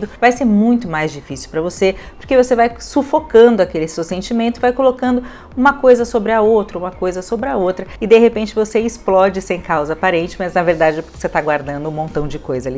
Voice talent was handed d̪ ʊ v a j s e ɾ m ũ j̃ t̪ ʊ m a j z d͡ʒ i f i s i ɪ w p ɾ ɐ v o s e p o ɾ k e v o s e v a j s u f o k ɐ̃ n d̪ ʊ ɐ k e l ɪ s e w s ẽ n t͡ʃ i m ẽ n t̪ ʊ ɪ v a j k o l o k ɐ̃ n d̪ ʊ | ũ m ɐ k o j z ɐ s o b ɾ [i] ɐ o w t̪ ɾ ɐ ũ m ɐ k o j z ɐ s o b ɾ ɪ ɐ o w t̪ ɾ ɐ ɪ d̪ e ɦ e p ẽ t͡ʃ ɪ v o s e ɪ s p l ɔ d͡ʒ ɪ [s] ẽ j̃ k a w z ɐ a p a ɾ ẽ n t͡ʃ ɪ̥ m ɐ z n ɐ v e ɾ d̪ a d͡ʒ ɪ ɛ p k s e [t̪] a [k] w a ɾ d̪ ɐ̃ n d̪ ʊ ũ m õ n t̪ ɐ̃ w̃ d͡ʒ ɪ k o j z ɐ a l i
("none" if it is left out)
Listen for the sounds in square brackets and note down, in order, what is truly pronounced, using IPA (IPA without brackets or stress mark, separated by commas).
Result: ɪ, s, t̪, ɡ